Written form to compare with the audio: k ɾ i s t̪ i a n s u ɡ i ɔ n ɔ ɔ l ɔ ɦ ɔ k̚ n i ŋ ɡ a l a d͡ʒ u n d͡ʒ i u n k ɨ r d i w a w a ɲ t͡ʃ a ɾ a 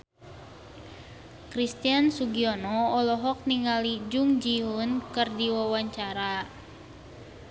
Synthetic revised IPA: k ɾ i s t̪ i a n s u ɡ i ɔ n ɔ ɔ l ɔ ɦ ɔ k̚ n i ŋ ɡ a l i d͡ʒ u ŋ d͡ʒ i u n k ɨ r d i w a w a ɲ t͡ʃ a ɾ a